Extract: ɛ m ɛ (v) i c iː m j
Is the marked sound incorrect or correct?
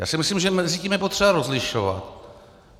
incorrect